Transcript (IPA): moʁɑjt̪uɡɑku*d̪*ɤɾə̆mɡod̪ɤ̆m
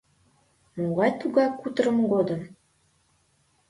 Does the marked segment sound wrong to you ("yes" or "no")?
yes